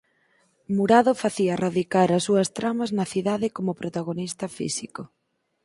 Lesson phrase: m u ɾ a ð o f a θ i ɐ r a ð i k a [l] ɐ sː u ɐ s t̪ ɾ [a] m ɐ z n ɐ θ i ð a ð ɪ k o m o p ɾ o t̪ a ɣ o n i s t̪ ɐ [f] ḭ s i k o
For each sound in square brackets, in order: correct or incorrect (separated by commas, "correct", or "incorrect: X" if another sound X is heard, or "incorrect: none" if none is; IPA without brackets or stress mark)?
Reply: incorrect: ɾ, correct, correct